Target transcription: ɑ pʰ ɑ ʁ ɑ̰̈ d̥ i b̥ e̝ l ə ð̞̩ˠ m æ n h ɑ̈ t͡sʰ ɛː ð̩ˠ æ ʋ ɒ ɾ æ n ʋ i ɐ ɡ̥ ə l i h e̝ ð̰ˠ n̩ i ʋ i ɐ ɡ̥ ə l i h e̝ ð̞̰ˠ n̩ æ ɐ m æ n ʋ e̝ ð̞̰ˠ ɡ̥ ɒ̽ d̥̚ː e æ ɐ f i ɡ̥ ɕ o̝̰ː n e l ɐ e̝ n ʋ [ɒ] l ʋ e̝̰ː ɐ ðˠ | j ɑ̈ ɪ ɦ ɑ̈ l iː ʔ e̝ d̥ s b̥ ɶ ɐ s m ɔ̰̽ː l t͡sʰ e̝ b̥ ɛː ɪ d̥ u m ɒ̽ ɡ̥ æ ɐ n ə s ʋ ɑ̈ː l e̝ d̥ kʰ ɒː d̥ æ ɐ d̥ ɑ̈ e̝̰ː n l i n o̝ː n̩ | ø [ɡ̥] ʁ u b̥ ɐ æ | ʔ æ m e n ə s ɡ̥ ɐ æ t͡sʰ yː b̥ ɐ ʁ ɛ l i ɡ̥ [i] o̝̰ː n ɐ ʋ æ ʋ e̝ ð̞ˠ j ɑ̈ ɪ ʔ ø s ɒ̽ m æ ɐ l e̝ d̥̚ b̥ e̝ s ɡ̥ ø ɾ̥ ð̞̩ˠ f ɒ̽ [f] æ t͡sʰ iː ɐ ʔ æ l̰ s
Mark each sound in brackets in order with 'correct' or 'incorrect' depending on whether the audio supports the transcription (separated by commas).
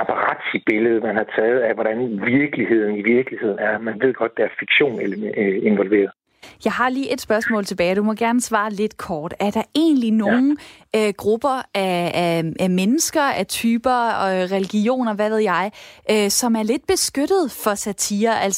correct, correct, correct, incorrect